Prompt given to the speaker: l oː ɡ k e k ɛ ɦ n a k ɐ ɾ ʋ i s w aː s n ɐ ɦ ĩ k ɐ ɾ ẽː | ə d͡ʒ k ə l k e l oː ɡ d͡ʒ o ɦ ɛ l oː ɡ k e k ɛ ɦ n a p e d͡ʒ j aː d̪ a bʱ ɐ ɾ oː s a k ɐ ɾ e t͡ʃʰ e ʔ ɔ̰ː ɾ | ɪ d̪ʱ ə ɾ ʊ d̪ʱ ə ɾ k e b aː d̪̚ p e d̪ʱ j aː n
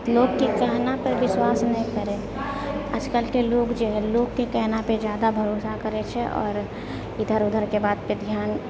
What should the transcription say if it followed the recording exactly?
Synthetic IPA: l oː ɡ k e k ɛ ɦ n a p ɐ ɾ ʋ ɪ s w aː s n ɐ ɦ ĩ k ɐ ɾ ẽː | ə d͡ʒ k ə l k e l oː ɡ d͡ʒ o ɦ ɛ l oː ɡ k e k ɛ ɦ n a p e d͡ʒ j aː d̪ a bʱ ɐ ɾ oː s a k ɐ ɾ e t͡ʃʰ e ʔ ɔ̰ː ɾ | ɪ d̪ʱ ə ɾ ʊ d̪ʱ ə ɾ k e b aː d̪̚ p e d̪ʱ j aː n

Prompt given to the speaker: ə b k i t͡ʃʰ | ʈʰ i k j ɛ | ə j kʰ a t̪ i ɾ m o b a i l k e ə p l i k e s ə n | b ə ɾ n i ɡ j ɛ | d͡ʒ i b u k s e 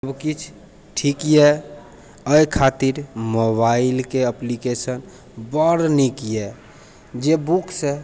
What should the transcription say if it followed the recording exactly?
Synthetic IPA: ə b k i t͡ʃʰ | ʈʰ i k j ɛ | ə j kʰ a t̪ i ɾ m o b a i l k e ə p l i k e s ə n | b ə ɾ n i k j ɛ | d͡ʒ e b u k s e

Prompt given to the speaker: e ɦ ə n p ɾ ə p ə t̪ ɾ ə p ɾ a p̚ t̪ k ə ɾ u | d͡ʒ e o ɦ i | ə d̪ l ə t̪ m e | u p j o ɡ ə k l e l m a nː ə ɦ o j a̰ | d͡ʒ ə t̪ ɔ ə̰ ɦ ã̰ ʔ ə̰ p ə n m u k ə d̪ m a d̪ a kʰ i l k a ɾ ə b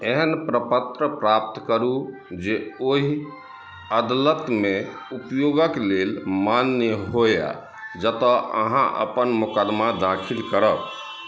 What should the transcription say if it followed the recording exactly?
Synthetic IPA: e ɦ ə n p ɾ ə p ə t̪ ɾ ə p ɾ a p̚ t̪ k ə ɾ u | d͡ʒ e o ɦ i | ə d̪ l ə t̪ m e | u p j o ɡ ə k l e l m a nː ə ɦ o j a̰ | d͡ʒ ə t̪ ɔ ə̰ ɦ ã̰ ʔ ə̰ p ə n m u k ə d̪ m a d̪ a kʰ i l k ə ɾ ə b

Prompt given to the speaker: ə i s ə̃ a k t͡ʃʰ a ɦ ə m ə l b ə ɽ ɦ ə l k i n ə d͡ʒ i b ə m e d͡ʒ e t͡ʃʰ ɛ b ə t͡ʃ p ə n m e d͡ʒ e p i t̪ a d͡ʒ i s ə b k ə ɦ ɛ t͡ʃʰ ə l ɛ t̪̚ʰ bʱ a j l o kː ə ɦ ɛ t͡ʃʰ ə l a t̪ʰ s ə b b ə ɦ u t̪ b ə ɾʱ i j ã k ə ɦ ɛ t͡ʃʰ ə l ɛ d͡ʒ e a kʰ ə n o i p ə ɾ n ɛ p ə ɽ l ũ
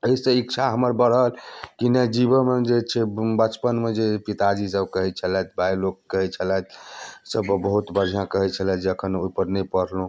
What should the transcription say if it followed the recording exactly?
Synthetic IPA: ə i s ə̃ i k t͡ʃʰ a ɦ ə m ə ɾ b ə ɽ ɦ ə l k i n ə d͡ʒ i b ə m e d͡ʒ e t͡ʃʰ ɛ b ə t͡ʃ p ə n m e d͡ʒ e p i t̪ a d͡ʒ i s ə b k ə ɦ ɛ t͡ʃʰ ə l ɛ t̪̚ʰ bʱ a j l o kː ə ɦ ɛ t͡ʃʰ ə l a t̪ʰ s ə b b ə ɦ u t̪ b ə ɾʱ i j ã k ə ɦ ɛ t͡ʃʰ ə l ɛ d͡ʒ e ə kʰ ə n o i p ə ɾ n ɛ p ə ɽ l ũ

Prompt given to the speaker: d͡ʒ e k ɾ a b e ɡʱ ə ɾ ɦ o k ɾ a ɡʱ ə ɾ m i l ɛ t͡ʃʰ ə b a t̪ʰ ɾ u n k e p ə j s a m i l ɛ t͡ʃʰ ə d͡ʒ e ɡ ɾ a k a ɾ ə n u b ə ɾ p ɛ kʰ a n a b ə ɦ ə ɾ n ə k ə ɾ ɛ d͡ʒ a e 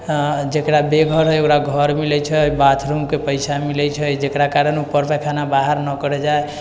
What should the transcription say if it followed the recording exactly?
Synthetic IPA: d͡ʒ e k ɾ a b e ɡʱ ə ɾ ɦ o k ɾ a ɡʱ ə ɾ m i l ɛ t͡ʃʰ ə b a t̪ʰ ɾ u m k e p ə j s a m i l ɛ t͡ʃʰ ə d͡ʒ e k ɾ a k a ɾ ə n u p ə ɾ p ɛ kʰ a n a b a ɦ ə ɾ n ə k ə ɾ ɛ d͡ʒ a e

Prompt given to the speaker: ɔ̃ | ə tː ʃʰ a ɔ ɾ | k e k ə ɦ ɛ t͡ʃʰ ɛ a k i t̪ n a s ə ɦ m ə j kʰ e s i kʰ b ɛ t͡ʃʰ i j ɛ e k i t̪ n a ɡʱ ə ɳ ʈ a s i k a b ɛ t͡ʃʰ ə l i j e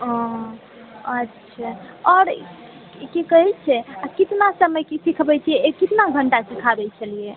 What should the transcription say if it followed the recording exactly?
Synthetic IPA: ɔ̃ | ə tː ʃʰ a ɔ ɾ | k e k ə ɦ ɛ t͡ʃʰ ɛ a k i t̪ n a s ə m ə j k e s i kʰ b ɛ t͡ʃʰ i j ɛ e k i t̪ n a ɡʱ ə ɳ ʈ a s i kʰ a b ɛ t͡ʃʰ ə l i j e

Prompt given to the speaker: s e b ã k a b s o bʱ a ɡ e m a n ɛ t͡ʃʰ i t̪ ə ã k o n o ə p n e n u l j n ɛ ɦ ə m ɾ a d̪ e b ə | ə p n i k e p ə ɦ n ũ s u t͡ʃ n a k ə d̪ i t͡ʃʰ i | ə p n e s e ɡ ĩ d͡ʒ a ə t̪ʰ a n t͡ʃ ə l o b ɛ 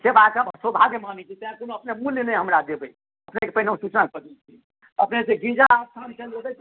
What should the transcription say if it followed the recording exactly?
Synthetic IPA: s e b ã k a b s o bʱ a ɡ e m a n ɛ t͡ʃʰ i t̪ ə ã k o n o ə p n e m u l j n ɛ ɦ ə m ɾ a d̪ e b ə | ə p n e k e p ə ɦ n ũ s u t͡ʃ n a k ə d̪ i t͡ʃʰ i | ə p n e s e ɡ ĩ d͡ʒ a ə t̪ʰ a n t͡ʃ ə l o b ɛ

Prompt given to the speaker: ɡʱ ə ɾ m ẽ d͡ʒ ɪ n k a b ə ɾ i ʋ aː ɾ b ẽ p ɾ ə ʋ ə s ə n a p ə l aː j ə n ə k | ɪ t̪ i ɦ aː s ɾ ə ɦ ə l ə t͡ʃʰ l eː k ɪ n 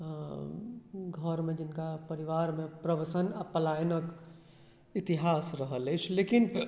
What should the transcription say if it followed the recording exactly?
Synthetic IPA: ɡʱ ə ɾ m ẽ d͡ʒ ɪ n k a p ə ɾ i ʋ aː ɾ m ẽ p ɾ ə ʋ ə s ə n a p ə l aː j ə n ə k | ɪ t̪ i ɦ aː s ɾ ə ɦ ə l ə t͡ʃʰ l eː k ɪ n

